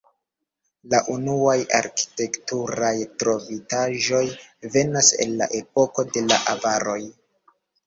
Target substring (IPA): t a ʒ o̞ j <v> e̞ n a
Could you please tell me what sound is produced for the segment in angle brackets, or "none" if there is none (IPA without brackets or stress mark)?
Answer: v